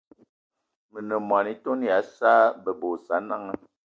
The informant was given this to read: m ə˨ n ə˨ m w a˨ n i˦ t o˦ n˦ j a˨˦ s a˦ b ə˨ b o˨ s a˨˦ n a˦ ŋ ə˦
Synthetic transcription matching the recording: m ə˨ n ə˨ m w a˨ n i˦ t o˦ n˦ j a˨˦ s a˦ b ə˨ b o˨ s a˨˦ n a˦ ŋ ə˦